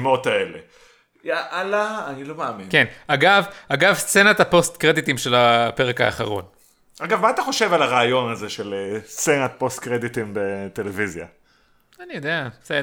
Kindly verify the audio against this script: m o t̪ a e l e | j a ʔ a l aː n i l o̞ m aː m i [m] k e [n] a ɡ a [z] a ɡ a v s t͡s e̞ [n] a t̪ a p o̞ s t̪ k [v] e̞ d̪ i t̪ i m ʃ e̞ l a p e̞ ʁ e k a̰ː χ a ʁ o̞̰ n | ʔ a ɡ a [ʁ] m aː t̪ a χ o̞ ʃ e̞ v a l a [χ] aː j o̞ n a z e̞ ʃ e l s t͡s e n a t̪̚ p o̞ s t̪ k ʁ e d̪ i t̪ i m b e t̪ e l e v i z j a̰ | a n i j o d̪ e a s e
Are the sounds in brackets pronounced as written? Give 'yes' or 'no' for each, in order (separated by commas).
no, yes, no, yes, no, no, no